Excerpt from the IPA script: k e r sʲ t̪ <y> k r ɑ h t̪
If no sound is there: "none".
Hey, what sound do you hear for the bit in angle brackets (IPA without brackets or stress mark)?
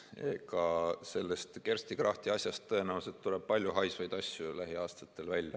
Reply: i